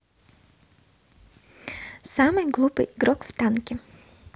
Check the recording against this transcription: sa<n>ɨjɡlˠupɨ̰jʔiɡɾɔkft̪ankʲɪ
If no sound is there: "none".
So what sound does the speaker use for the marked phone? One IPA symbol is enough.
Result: m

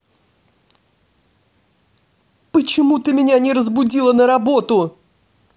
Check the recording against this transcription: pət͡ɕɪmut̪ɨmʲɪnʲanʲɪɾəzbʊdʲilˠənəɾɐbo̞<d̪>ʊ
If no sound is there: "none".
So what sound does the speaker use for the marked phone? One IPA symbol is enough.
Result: t̪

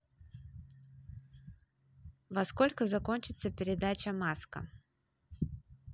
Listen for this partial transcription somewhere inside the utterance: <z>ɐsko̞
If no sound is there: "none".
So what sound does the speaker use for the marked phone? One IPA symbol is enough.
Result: v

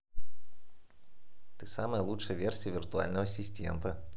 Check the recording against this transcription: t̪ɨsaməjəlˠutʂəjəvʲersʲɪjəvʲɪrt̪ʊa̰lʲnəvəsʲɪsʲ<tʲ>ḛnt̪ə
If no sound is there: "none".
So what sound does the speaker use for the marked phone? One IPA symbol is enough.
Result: tʲ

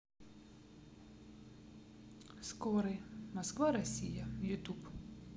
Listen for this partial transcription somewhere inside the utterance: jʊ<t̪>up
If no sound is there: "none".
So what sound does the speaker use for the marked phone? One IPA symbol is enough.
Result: t̪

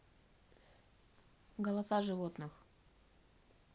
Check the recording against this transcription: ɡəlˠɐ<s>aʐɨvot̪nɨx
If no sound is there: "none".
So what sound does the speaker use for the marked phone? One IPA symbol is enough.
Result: s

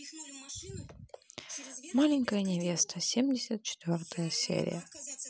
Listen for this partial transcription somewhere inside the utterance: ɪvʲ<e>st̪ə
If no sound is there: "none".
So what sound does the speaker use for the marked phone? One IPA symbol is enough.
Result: e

